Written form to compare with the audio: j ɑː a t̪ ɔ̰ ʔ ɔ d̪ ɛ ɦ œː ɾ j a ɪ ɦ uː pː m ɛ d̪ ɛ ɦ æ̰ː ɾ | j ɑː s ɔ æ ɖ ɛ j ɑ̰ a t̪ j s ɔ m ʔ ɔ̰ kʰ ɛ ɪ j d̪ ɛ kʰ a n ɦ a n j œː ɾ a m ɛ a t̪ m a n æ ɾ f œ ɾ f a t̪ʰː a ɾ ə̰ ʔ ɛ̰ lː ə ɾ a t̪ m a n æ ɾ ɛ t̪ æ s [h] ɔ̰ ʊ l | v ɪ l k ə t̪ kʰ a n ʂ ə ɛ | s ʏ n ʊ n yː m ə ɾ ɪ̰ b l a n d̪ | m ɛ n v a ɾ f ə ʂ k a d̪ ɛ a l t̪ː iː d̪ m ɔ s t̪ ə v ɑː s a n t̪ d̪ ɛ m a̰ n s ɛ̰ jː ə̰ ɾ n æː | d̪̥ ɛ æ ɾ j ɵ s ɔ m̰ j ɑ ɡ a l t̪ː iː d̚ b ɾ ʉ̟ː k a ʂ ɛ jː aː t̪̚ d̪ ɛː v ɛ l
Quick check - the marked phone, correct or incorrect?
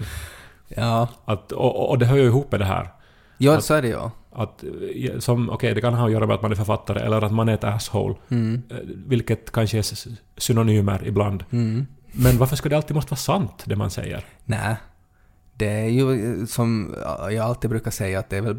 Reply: correct